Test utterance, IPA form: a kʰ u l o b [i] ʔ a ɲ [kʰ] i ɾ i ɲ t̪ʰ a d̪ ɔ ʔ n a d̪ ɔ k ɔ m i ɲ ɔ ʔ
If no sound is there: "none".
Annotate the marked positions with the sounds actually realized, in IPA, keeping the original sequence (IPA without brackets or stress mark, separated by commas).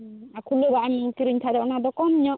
a, k